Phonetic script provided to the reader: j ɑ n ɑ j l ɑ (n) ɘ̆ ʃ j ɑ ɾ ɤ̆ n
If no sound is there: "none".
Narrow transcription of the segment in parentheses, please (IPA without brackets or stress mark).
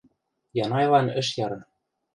n